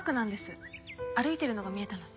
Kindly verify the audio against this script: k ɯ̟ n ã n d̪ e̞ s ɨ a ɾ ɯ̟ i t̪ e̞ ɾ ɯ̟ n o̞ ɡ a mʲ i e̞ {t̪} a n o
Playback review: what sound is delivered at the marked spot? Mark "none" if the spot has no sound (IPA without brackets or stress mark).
t̪